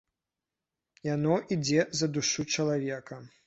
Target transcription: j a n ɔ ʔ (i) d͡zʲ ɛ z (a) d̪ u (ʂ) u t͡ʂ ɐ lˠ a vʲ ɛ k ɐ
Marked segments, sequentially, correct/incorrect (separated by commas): correct, incorrect, correct